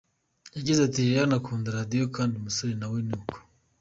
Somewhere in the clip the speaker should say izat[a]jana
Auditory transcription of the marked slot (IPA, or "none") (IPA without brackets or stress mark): i